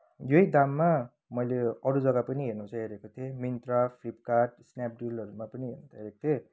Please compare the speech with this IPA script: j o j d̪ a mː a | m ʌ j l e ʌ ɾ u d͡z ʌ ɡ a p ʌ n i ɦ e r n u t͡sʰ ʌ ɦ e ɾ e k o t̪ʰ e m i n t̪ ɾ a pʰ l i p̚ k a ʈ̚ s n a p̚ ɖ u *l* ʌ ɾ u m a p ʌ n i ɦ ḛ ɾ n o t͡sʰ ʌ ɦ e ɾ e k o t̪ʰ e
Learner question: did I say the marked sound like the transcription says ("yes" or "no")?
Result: yes